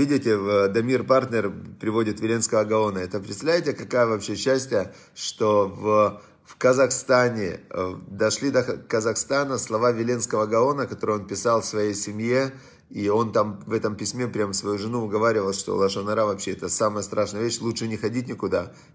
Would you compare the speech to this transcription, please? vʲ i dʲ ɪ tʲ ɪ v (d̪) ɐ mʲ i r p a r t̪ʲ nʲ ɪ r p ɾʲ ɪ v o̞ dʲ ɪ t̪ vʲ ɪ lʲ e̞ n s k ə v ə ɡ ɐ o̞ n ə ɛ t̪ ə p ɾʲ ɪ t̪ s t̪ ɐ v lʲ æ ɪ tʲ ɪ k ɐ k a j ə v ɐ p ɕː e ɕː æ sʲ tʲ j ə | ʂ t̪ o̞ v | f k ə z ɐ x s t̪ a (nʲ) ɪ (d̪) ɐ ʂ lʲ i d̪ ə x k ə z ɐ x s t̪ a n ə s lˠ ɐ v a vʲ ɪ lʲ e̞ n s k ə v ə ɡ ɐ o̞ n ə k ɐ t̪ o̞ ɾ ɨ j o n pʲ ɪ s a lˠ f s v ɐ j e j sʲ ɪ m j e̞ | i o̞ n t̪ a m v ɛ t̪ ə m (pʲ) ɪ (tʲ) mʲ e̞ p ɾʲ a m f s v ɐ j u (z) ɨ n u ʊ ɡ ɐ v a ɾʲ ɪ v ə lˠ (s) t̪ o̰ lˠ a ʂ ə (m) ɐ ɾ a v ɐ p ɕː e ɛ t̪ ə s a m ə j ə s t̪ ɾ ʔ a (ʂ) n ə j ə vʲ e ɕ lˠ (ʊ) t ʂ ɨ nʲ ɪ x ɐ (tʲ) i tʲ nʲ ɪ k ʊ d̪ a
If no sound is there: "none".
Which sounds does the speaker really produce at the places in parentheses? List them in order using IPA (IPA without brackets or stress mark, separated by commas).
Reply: d̪, nʲ, d̪, pʲ, sʲ, ʐ, ʂ, n, ʂ, u, dʲ